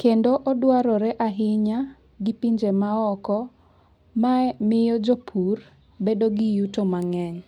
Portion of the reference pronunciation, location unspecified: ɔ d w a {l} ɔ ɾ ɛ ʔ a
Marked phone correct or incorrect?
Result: incorrect: ɾ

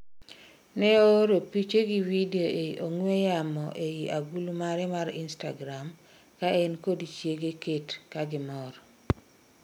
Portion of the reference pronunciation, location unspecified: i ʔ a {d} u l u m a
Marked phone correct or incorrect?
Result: incorrect: ɡ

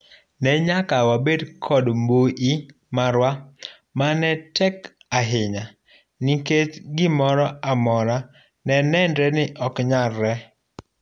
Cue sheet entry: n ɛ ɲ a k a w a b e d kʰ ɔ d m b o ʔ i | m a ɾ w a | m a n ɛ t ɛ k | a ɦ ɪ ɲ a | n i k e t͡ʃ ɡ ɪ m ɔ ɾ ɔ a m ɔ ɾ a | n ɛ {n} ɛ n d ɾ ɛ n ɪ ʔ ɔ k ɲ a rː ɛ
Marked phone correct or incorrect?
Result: correct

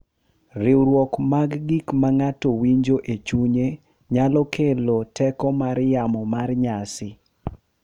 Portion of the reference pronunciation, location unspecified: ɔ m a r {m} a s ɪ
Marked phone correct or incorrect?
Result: incorrect: ɲ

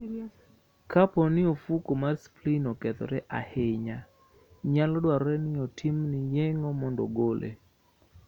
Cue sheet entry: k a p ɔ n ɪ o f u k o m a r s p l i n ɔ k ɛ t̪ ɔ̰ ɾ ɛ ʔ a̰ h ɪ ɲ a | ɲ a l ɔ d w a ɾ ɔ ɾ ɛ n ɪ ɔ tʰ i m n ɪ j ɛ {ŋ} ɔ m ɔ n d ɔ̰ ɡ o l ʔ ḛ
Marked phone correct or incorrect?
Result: correct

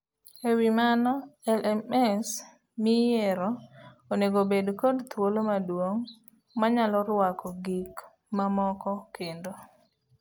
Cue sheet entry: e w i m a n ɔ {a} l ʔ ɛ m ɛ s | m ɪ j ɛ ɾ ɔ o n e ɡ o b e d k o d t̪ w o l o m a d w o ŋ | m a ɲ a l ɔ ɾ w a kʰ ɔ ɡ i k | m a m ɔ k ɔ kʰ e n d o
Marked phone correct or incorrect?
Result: incorrect: ɛ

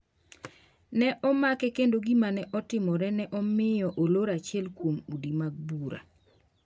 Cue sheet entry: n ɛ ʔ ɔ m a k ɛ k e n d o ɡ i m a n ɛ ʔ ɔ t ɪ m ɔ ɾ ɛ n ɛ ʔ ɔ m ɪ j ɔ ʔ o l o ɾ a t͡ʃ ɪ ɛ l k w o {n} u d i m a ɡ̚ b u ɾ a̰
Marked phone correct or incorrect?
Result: incorrect: m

